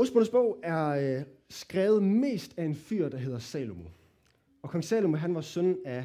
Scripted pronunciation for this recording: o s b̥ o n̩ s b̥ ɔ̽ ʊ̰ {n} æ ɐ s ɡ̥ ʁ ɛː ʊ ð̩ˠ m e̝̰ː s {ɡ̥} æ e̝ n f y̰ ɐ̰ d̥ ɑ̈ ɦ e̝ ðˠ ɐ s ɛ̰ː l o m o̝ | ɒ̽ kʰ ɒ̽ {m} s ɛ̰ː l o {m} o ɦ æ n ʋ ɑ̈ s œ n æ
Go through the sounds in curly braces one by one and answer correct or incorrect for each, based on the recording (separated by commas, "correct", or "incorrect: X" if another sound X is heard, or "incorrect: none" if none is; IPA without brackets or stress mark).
incorrect: none, incorrect: d̥, incorrect: ŋ, correct